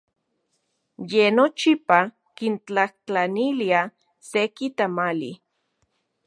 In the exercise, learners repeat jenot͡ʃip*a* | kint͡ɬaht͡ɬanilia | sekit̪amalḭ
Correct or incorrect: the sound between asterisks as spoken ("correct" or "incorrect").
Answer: correct